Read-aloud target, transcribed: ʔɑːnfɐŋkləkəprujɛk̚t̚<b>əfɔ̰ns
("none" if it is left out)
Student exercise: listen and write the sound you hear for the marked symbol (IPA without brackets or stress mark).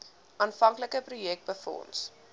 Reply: b